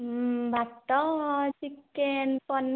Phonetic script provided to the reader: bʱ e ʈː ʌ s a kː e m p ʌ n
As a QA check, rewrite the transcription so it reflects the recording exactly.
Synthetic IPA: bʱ a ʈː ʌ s i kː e n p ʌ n